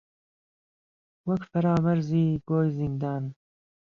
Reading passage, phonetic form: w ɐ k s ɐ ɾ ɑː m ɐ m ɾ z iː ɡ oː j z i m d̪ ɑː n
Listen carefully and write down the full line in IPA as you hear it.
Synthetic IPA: w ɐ k f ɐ ɾ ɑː m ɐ ɾ z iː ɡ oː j z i n d̪ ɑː n